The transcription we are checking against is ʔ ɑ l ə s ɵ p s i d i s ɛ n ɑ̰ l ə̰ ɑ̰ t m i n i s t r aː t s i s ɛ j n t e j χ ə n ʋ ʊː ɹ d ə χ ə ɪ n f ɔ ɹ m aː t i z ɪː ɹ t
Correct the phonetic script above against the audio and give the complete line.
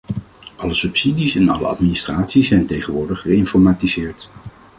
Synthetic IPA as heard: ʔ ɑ l ə s ɵ p s i d i s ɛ n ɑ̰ l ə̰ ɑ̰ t m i n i s t r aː t s i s ɛ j n t e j χ ə n ʋ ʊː ɹ d ə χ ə ɪ n f ɔ ɹ m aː t i z ɪː ɹ t